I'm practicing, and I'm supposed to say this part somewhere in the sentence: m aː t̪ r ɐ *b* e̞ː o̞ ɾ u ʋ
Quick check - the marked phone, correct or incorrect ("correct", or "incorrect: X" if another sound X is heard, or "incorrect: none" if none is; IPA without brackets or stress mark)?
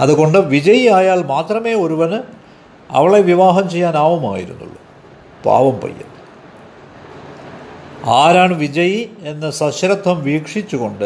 incorrect: m